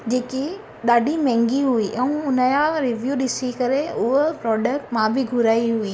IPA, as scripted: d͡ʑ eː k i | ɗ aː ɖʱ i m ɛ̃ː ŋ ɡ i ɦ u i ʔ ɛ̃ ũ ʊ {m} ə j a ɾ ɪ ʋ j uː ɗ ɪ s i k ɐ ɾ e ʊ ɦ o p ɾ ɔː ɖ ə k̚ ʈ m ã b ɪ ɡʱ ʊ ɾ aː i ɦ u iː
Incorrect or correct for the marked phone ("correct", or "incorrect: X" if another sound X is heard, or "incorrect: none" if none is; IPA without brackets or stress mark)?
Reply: incorrect: n